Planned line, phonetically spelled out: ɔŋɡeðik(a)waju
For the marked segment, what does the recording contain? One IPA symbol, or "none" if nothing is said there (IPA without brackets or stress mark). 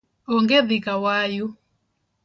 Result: a